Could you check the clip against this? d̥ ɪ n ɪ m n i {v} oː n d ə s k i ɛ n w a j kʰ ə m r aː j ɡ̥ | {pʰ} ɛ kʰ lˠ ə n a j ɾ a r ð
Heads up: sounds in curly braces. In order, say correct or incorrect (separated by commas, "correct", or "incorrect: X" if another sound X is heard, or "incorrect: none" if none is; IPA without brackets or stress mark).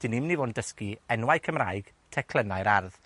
correct, incorrect: tʰ